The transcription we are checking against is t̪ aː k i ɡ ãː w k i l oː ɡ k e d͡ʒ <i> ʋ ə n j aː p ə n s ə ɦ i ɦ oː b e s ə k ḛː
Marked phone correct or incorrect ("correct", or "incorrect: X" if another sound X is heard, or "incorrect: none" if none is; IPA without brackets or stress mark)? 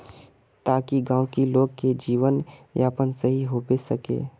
incorrect: iː